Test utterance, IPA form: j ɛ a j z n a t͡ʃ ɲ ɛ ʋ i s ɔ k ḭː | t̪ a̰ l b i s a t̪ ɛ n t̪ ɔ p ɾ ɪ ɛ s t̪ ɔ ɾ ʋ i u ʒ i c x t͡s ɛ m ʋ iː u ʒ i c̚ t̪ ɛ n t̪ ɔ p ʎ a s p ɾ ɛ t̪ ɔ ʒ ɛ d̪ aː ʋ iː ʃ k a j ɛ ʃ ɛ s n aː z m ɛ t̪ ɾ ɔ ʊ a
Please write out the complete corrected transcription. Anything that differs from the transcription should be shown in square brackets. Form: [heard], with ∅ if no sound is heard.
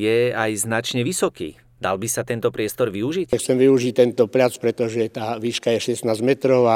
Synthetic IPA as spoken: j ɛ a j z n a t͡ʃ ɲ ɛ ʋ i s ɔ k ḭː | [d̪] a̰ l b i s a t̪ ɛ n t̪ ɔ p ɾ ɪ ɛ s t̪ ɔ ɾ ʋ i u ʒ i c x t͡s ɛ m ʋ [i] u ʒ i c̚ t̪ ɛ n t̪ ɔ p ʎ a [t͡s] p ɾ ɛ t̪ ɔ ʒ ɛ [t̪] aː ʋ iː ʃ k a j ɛ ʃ ɛ s n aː z m ɛ t̪ ɾ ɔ ʊ a